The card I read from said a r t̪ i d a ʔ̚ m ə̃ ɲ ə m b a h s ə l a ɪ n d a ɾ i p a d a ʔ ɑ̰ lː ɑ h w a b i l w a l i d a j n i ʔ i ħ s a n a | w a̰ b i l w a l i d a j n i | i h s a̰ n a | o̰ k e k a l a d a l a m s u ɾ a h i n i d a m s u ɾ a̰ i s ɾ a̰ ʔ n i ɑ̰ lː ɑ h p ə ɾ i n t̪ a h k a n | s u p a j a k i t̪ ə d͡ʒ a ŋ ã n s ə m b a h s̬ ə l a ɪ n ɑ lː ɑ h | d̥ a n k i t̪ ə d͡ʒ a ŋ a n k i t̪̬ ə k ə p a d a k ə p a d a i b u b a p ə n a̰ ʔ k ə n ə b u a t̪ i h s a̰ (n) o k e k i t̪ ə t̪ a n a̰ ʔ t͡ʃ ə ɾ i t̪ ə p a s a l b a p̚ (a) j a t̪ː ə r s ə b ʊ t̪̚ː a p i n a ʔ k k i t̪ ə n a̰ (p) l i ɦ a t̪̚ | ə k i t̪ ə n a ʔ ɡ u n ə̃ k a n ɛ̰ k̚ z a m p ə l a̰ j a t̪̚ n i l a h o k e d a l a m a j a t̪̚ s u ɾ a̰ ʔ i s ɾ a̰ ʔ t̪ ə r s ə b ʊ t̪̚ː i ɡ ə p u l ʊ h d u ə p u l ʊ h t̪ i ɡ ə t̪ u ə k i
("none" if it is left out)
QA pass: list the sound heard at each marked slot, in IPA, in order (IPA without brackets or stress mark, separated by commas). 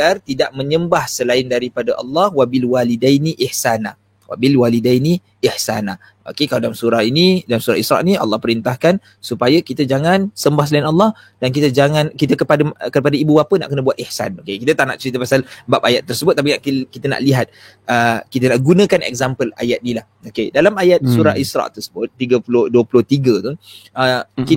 n, a, ʔ